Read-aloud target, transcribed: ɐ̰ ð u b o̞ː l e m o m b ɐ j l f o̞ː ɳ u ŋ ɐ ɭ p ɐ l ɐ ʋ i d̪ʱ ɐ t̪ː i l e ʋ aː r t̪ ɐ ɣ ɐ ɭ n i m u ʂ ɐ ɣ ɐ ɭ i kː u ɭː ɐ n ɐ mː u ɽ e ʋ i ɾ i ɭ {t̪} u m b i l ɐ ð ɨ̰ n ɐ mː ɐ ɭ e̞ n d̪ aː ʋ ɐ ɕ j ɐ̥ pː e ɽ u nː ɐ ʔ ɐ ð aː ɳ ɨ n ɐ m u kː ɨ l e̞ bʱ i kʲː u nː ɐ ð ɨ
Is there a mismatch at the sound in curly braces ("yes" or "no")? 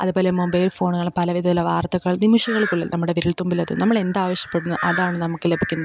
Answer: no